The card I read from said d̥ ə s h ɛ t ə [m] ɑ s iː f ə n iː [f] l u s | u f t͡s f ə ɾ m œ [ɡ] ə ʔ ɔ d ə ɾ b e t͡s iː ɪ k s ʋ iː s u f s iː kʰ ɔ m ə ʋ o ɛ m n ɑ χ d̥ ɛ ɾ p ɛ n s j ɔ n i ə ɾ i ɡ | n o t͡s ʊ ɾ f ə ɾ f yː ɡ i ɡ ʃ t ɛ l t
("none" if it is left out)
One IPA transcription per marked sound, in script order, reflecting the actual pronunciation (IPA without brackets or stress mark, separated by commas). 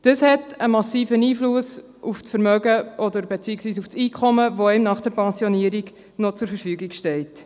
m, f, ɡ